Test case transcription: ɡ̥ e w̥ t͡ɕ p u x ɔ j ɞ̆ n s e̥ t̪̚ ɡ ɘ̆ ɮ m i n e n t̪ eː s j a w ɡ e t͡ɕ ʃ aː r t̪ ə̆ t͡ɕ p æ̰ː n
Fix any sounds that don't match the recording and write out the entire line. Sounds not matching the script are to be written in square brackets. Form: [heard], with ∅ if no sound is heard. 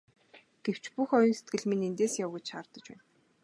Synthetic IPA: ɡ̥ e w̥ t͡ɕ p u x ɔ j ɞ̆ n s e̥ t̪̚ ɡ ɘ̆ ɮ m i n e n t̪ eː s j a w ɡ e t͡ɕ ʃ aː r t̪ ə̆ t͡ɕ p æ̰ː n